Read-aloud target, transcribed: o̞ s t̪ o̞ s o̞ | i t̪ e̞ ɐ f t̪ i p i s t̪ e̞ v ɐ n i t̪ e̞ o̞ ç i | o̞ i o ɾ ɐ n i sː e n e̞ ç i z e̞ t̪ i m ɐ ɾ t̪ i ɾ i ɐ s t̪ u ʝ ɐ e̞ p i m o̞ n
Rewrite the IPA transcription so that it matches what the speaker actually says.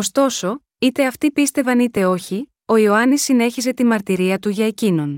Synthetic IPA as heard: o̞ s t̪ o̞ s o̞ | i t̪ e̞ ɐ f t̪ i p i s t̪ e̞ v ɐ n i t̪ e̞ o̞ ç i | o̞ i o ɐ n i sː i n e̞ ç i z e̞ t̪ i m ɐ ɾ t̪ i ɾ i ɐ t̪ u ʝ ɐ e̞ c i n o̞ n